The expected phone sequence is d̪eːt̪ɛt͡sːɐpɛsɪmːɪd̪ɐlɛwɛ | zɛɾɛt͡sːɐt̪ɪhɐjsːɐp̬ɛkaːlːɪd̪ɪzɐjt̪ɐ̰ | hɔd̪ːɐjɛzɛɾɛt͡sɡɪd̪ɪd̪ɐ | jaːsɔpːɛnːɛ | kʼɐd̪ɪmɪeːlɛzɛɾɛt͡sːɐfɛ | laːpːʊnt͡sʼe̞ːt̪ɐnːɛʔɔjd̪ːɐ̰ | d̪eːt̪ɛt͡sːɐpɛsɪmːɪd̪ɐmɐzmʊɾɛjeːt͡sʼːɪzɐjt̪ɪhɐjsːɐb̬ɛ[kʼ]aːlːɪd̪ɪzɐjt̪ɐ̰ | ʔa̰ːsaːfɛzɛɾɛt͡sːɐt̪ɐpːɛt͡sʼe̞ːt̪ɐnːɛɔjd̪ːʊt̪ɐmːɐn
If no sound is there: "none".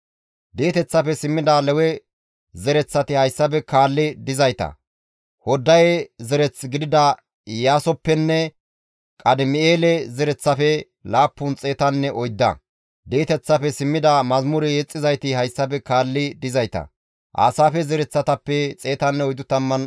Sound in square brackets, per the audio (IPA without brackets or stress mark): k